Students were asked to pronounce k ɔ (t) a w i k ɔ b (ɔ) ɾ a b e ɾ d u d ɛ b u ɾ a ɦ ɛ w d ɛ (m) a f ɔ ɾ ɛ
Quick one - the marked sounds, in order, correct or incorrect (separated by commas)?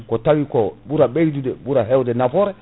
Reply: correct, incorrect, incorrect